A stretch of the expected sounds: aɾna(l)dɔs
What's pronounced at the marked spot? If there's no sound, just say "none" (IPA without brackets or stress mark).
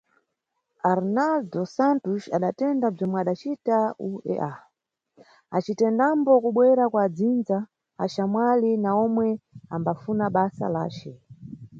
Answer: l